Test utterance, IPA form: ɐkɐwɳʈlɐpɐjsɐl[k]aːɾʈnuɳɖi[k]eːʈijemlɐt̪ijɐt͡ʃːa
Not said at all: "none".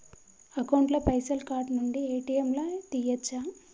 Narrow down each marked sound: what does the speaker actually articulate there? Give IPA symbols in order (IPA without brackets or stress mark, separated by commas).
k, none